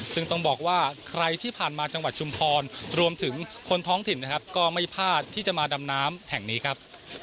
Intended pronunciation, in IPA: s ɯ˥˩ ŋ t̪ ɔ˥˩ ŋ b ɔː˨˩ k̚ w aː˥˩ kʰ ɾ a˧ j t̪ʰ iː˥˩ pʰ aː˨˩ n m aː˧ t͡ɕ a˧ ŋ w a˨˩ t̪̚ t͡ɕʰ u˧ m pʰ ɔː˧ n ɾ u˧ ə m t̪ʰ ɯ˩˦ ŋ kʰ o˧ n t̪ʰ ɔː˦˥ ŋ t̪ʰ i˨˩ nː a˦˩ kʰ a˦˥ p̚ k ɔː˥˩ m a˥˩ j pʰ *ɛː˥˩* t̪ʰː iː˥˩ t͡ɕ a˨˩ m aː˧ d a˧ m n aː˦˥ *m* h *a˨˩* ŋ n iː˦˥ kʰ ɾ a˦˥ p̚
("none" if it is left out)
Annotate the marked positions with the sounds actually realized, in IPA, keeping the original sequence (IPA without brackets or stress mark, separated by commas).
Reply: aː˥˩, m, ɛ˨˩